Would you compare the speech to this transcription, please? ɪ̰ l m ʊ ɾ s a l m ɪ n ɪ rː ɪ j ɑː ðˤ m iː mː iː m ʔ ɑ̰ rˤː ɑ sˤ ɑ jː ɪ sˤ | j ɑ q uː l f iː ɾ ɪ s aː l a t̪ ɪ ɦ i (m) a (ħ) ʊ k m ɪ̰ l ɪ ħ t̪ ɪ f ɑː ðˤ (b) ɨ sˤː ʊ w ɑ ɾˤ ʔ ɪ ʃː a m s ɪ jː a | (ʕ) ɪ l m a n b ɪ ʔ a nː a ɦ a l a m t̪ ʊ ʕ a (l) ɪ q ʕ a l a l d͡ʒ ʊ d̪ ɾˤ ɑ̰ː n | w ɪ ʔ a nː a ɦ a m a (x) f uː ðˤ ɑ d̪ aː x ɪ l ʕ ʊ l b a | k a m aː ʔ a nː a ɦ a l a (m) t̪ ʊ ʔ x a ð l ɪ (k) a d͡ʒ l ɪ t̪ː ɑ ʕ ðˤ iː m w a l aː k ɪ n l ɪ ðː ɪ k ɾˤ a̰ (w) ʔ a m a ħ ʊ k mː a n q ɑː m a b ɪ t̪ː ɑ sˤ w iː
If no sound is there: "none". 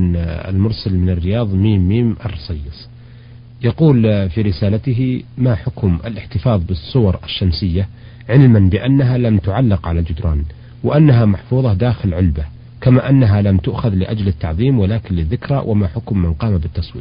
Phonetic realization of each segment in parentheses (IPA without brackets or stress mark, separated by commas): m, ħ, b, ʕ, lː, ħ, m, ʔ, w